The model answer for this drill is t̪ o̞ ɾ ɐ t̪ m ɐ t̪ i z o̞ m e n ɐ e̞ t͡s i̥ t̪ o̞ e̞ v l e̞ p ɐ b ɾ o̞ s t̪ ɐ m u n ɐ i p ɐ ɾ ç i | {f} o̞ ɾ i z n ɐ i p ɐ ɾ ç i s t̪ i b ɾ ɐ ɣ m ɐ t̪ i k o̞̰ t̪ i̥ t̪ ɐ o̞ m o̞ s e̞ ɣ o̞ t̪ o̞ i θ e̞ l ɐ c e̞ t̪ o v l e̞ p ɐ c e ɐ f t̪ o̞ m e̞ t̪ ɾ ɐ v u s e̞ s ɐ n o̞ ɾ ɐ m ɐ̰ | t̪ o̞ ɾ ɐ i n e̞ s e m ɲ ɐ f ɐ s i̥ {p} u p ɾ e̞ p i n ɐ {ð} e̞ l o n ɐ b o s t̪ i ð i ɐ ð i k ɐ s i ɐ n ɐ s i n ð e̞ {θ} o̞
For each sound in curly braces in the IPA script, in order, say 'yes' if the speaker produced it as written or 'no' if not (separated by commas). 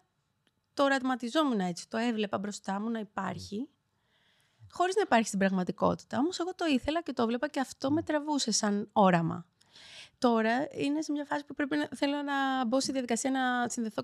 no, yes, no, yes